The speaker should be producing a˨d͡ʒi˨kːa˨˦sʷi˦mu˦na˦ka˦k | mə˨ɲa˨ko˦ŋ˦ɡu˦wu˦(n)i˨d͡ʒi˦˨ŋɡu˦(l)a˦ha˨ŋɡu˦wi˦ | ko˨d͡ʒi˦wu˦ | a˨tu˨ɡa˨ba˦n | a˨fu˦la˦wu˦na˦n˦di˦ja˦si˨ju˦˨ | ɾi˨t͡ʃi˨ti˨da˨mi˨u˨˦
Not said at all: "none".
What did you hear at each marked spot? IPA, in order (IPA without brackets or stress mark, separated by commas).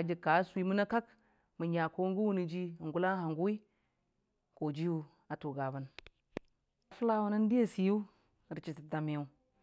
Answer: n, l